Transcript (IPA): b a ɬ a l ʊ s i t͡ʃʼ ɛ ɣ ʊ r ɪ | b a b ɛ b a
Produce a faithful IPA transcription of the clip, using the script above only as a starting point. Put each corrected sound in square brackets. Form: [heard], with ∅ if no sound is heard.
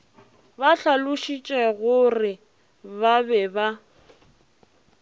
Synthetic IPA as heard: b a ɬ a l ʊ [ʃ] i t͡ʃʼ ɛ ɣ ʊ r ɪ | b a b ɛ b a